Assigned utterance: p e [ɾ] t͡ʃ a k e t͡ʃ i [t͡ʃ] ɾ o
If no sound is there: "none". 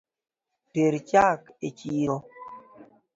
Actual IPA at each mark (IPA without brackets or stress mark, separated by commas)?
ɾ, none